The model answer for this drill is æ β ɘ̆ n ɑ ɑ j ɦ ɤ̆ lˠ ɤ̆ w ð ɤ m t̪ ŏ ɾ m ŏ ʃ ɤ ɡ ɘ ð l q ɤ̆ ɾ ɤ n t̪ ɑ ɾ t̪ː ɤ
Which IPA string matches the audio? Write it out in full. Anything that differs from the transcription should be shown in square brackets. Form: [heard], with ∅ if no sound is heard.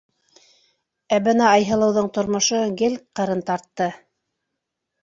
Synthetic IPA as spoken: æ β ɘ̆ n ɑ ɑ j ɦ ɤ̆ lˠ ɤ̆ w ð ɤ [ɴ] t̪ ŏ ɾ m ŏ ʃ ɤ ɡ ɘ [∅] l q ɤ̆ ɾ ɤ n t̪ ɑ ɾ t̪ː ɤ